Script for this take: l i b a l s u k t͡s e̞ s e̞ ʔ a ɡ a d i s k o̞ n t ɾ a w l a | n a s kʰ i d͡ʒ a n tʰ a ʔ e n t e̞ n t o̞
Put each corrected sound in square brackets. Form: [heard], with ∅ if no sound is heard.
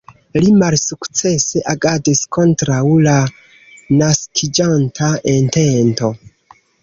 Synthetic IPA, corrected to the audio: l i [m] a l s u k t͡s e̞ s e̞ ʔ a ɡ a d i s k o̞ n t ɾ a w l a | n a s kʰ i d͡ʒ a n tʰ a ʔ e n t e̞ n t o̞